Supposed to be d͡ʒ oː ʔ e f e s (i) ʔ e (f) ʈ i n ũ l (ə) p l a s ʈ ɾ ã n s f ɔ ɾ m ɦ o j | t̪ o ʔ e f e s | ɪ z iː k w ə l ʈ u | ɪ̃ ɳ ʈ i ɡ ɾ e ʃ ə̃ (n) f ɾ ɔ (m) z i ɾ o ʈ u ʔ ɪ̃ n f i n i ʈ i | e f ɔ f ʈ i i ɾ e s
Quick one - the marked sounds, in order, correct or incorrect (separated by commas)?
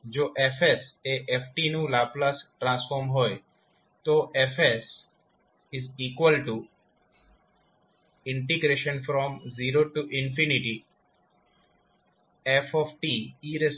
incorrect, correct, incorrect, correct, correct